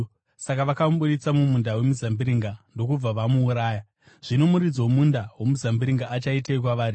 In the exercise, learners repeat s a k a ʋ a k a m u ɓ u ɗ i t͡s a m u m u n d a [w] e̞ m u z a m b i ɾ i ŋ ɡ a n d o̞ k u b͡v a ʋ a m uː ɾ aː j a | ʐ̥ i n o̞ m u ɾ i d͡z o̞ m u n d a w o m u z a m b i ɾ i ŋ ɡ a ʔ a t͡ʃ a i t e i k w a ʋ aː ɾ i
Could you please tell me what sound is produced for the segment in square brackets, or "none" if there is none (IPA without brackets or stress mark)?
w